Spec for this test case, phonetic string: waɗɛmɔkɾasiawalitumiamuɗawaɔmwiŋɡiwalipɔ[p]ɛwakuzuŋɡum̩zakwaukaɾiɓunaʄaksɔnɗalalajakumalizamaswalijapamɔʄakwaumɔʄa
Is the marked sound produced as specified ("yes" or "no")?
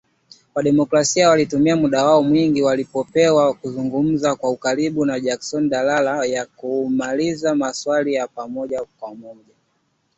yes